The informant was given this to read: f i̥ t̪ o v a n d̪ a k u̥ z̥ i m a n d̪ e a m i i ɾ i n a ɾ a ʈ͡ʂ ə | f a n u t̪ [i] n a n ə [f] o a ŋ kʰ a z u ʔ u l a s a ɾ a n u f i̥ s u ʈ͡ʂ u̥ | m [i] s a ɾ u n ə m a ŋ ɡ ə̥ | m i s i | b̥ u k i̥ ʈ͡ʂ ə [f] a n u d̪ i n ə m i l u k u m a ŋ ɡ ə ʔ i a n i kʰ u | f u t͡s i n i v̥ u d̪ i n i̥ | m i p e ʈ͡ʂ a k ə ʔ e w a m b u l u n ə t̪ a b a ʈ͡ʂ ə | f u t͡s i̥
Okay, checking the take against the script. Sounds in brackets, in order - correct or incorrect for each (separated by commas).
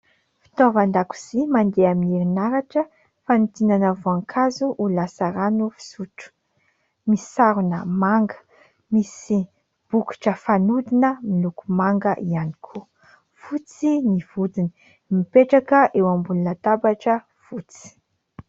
correct, incorrect, correct, correct